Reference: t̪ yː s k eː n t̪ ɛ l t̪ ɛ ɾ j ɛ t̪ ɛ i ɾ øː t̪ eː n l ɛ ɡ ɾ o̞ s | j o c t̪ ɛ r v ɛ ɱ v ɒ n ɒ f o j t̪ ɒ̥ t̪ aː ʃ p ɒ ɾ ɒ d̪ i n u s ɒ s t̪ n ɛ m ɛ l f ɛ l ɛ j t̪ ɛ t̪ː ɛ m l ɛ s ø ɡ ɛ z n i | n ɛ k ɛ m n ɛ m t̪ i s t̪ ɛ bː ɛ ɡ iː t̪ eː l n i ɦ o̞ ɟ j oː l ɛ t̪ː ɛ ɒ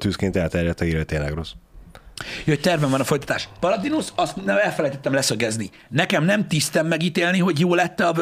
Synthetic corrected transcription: t̪ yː s k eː n t̪ ɛ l t̪ ɛ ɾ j ɛ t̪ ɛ i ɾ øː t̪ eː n l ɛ ɡ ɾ o̞ s | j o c t̪ ɛ r v ɛ ɱ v ɒ n ɒ f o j t̪ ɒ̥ t̪ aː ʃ p ɒ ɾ ɒ d̪ i n u s ɒ s t̪ n ɛ m ɛ l f ɛ l ɛ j t̪ ɛ t̪ː ɛ m l ɛ s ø ɡ ɛ z n i | n ɛ k ɛ m n ɛ m t̪ i s t̪ ɛ mː ɛ ɡ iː t̪ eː l n i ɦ o̞ ɟ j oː l ɛ t̪ː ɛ ɒ